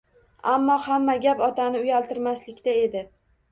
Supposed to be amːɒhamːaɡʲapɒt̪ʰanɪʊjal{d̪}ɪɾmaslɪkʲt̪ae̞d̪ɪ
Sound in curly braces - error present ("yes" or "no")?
yes